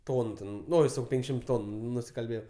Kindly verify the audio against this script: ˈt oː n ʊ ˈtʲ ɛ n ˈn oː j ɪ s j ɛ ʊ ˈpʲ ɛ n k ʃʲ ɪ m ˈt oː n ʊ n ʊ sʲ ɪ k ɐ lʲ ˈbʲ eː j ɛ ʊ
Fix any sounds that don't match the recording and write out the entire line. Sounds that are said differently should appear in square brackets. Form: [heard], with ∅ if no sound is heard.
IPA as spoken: ˈt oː n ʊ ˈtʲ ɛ n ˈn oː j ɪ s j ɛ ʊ ˈpʲ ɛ [ŋ] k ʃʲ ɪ m ˈt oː n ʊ n ʊ sʲ ɪ k ɐ lʲ ˈbʲ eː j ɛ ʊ